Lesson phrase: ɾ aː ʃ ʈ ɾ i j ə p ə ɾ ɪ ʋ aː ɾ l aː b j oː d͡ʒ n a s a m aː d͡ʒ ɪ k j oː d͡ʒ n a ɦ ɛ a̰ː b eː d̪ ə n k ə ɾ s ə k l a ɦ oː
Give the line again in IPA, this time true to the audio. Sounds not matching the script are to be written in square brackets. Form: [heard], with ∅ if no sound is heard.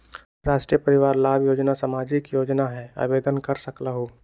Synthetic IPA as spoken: ɾ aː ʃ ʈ ɾ i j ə p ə ɾ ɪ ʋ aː ɾ l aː b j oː d͡ʒ n a s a m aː d͡ʒ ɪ k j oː d͡ʒ n a ɦ ɛ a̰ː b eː d̪ ə n k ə ɾ s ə k l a ɦ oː

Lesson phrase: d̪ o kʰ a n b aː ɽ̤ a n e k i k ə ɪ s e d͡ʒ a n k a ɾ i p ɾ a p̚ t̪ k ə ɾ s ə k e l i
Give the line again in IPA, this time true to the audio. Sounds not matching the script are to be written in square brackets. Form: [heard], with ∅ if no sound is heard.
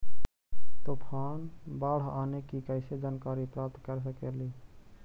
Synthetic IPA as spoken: [t̪] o [pʰ] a n b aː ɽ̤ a n e k i k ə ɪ s e d͡ʒ a n k a ɾ i p ɾ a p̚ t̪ k ə ɾ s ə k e l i

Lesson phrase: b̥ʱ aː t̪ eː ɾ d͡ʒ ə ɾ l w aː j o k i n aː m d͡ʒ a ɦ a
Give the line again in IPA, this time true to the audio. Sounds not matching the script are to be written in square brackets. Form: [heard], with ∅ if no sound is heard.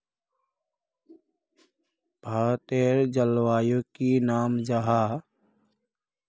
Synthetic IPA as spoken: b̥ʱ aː t̪ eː ɾ d͡ʒ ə [∅] l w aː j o k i n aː m d͡ʒ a ɦ a

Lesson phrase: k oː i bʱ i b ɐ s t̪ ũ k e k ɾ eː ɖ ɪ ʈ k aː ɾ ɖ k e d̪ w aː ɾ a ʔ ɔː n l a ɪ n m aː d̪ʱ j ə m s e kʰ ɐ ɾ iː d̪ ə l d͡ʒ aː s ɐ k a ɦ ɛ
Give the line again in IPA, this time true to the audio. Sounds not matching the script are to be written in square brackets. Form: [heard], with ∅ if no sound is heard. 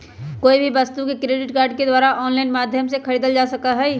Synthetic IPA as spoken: k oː i bʱ i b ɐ s t̪ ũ k e k ɾ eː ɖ ɪ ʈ k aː ɾ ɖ k e d̪ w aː ɾ a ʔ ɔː n l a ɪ n m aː d̪ʱ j ə m s e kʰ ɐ ɾ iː d̪ ə l d͡ʒ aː s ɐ k a ɦ ɛ

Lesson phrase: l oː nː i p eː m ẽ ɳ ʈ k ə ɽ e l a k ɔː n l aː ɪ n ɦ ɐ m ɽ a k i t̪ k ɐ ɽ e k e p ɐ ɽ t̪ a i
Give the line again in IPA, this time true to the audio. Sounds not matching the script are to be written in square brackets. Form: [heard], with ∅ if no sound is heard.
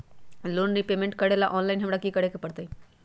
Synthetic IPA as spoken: l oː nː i p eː m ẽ ɳ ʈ k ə ɽ e l a [ʔ] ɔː n l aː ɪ n ɦ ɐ m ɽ a k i [∅] k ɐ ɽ e k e p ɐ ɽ t̪ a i

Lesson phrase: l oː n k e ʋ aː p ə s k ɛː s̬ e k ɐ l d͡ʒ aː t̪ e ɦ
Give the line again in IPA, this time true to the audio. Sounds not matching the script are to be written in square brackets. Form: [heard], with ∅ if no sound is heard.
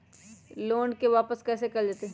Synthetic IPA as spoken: l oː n k e ʋ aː p ə s k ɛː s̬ e k ɐ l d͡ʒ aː t̪ e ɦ

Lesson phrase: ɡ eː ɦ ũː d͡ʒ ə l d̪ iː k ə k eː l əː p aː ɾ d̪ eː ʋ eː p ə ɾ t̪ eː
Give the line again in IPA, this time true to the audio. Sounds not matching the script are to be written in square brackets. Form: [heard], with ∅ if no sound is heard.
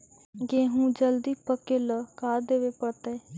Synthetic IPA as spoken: ɡ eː ɦ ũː d͡ʒ ə l d̪ iː [p] ə k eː l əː [k] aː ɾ d̪ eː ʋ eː p ə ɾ t̪ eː

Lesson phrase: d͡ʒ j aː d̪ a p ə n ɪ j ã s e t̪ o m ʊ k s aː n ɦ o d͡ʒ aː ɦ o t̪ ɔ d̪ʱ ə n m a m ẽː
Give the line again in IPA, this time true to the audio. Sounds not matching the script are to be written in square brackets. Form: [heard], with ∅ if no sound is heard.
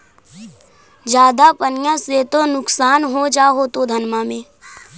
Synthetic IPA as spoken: d͡ʒ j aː d̪ a p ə n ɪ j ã s e t̪ o [n] ʊ k s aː n ɦ o d͡ʒ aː ɦ o t̪ [o] d̪ʱ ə n m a m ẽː

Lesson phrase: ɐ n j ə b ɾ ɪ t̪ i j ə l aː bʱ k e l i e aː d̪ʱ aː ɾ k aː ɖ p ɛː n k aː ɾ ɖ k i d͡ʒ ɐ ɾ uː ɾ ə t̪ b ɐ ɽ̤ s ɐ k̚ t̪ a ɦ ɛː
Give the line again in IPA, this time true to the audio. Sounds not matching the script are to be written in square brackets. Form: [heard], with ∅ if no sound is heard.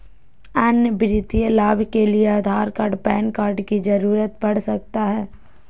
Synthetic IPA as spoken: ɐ n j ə b ɾ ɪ t̪ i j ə l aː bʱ k e l i e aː d̪ʱ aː ɾ k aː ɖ p ɛː n k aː ɾ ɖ k i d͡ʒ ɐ ɾ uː ɾ ə t̪ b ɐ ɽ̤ s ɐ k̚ t̪ a ɦ ɛː

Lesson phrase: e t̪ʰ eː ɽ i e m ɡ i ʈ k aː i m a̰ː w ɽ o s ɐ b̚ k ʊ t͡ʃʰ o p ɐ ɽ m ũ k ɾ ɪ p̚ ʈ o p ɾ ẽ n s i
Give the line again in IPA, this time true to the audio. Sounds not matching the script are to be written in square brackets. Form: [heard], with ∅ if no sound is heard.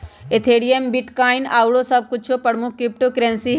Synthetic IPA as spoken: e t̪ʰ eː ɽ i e m [b] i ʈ k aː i [n] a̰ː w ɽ o s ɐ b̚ k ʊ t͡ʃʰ o p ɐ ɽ m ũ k ɾ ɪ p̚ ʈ o [k] ɾ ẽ n s i

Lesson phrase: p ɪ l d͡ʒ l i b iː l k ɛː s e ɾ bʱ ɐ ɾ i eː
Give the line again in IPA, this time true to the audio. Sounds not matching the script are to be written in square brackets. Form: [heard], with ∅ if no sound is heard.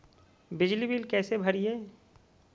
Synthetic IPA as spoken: [b] ɪ [∅] d͡ʒ l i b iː l k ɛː s e [∅] bʱ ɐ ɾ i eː

